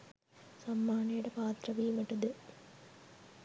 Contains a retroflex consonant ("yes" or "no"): yes